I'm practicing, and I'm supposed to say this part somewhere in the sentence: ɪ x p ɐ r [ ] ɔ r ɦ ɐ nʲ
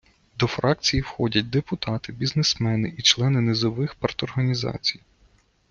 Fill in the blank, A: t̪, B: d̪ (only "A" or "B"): A